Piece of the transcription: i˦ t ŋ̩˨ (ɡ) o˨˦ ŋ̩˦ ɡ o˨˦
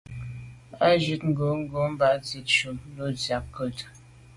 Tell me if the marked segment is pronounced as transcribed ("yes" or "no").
yes